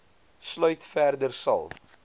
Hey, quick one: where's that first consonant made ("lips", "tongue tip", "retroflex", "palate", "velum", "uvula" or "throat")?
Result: tongue tip